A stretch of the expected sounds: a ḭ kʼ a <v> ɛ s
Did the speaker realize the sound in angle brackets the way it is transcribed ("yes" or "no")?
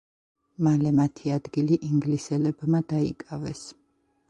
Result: yes